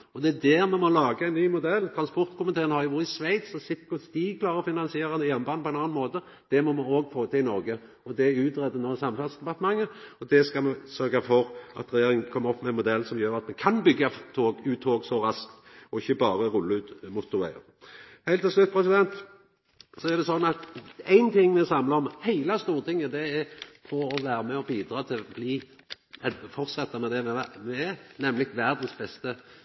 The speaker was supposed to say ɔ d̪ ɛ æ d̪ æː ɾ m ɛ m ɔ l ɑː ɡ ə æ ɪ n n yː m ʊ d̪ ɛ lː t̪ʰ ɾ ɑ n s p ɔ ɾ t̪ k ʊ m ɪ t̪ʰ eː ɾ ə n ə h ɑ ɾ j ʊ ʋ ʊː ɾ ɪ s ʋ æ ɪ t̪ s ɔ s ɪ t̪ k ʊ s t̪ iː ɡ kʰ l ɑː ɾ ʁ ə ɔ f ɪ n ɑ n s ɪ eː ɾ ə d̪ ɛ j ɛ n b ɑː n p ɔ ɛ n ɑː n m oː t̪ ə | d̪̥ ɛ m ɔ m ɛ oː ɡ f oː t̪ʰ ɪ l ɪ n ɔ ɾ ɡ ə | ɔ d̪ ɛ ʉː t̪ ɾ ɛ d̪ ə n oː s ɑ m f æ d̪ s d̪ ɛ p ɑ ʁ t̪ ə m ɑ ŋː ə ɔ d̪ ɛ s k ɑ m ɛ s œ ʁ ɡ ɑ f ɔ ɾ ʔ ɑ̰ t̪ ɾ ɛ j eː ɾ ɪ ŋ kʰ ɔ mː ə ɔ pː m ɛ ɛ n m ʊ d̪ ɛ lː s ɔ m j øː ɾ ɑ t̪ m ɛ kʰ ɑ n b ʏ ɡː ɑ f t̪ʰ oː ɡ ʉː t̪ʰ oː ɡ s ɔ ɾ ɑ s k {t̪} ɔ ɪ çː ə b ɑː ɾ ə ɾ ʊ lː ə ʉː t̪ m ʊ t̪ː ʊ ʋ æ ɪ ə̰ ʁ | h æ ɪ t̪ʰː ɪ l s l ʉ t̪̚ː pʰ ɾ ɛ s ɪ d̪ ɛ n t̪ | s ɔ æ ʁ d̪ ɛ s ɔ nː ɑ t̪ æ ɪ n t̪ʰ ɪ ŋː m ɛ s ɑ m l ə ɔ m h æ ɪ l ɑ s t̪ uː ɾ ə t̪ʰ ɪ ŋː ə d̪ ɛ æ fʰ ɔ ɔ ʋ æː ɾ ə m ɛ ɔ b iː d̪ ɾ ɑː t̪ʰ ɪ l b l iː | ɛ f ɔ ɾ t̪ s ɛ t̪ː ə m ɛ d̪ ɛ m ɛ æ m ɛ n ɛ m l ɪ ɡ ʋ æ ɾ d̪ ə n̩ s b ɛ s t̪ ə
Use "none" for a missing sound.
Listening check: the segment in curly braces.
t̪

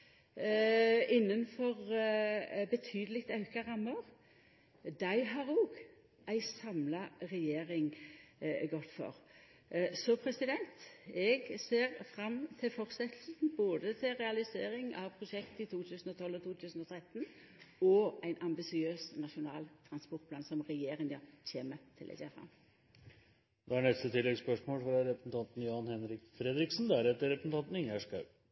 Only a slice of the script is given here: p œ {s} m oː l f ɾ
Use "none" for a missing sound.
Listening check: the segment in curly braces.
ʂ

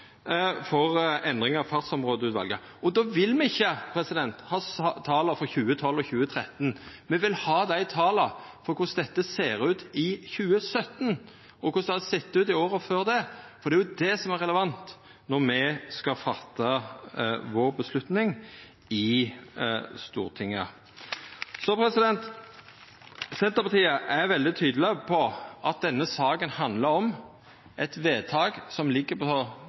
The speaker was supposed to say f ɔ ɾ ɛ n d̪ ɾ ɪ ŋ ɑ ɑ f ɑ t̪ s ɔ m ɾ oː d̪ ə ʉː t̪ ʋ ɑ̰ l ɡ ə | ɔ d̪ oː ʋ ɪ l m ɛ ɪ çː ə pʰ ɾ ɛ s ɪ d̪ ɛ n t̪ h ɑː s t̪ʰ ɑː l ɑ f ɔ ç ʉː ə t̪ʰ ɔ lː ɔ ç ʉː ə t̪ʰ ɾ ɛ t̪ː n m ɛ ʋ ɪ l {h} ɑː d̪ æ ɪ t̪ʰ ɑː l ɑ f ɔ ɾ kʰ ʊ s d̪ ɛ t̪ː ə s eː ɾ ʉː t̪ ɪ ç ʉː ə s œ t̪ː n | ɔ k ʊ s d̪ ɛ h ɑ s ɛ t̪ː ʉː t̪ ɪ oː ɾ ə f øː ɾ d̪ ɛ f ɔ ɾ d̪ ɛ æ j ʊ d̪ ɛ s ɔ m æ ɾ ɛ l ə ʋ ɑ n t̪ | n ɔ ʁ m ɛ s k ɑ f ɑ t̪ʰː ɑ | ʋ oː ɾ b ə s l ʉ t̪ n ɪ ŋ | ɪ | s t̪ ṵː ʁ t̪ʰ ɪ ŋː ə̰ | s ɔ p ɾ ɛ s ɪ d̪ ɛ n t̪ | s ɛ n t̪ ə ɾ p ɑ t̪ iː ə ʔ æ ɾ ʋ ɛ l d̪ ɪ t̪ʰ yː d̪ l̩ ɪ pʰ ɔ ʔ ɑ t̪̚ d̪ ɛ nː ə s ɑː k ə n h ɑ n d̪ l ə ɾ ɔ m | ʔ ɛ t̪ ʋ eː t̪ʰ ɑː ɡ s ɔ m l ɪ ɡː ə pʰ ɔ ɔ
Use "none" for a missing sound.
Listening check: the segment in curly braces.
h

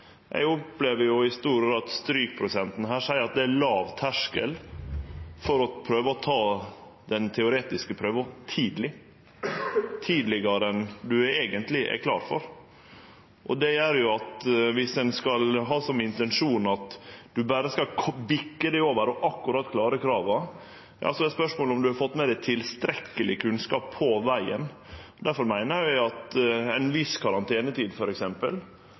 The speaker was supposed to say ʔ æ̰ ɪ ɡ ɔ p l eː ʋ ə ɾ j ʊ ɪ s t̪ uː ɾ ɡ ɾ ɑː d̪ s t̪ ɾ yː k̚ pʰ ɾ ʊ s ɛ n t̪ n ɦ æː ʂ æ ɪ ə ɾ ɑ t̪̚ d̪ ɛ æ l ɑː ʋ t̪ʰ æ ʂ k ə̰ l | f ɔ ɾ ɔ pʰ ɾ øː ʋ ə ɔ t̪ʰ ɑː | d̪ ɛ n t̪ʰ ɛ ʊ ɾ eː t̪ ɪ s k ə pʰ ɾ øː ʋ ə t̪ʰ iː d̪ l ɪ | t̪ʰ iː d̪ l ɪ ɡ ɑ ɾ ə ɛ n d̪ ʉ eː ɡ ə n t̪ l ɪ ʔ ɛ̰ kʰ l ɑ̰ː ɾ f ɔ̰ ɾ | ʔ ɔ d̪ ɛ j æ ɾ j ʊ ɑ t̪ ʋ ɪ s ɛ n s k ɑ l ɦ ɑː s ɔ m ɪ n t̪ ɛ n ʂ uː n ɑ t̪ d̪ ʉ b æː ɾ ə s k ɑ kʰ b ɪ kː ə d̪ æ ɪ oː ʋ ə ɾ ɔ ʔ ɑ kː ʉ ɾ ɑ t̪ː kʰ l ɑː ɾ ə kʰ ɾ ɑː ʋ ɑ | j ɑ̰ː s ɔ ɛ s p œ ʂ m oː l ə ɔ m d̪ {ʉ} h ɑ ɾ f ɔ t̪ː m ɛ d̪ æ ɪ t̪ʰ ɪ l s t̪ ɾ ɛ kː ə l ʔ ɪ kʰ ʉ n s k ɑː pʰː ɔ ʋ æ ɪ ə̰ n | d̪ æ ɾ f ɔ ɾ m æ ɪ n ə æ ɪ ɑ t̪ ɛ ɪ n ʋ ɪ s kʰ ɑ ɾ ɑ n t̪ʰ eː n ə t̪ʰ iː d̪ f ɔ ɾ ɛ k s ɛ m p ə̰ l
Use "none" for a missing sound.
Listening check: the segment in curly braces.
ʉ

